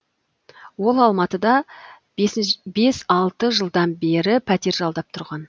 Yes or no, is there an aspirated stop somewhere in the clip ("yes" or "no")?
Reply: yes